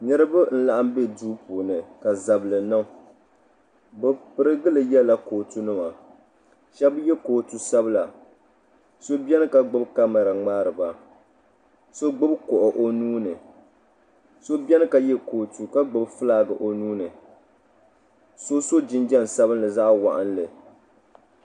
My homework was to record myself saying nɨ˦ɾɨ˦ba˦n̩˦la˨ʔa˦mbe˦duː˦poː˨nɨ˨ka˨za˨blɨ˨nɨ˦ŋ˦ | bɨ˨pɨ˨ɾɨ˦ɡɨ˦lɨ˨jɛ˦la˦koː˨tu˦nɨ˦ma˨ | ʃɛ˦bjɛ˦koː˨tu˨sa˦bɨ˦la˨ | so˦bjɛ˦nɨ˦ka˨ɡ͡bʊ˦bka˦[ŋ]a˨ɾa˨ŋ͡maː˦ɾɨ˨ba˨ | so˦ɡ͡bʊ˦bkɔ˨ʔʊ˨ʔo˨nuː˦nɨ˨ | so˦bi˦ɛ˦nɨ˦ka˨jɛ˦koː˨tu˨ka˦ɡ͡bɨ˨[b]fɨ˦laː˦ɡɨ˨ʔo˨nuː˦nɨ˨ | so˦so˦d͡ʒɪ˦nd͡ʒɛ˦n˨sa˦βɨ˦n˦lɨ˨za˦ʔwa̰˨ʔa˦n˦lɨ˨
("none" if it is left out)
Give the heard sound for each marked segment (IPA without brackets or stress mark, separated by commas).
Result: m, b